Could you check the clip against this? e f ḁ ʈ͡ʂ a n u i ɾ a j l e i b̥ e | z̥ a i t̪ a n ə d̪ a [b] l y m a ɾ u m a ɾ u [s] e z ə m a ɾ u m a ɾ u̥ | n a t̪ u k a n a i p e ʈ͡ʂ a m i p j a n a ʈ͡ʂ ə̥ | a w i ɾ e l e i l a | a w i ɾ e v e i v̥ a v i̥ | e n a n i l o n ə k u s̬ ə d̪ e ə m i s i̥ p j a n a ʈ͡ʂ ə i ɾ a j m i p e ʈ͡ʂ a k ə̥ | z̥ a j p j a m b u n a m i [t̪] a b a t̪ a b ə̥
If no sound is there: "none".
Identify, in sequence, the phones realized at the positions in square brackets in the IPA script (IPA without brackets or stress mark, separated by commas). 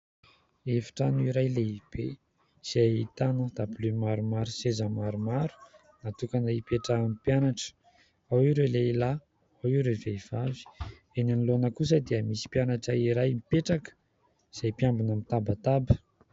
b, s, t̪